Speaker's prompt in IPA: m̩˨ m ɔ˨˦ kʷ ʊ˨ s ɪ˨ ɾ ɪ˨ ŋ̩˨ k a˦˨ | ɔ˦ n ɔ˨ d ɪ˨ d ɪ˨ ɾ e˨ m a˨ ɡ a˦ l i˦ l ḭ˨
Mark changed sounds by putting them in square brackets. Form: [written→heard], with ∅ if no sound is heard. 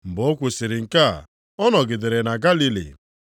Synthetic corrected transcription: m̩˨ [m→b] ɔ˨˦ kʷ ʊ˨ s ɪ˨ ɾ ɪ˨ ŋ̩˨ k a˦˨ | ɔ˦ n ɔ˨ [d→ɡ] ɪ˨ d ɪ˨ ɾ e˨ [m→n] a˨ ɡ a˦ l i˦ l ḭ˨